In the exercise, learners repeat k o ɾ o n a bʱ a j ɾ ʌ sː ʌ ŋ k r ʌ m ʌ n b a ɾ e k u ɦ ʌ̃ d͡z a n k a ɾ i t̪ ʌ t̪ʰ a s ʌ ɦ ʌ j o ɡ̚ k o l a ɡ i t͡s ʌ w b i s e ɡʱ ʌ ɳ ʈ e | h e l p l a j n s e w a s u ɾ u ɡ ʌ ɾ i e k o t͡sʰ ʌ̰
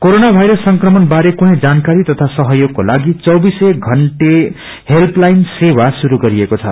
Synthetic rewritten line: k o ɾ o n a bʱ a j ɾ ʌ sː ʌ ŋ k r ʌ m ʌ n b a ɾ e k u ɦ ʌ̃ d͡z a n k a ɾ i t̪ ʌ t̪ʰ a s ʌ ɦ ʌ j o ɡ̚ k o l a ɡ i t͡s ʌ w b i s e ɡʱ ʌ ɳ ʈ e | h e l p l a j n s e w a s u ɾ u ɡ ʌ ɾ i e k o t͡sʰ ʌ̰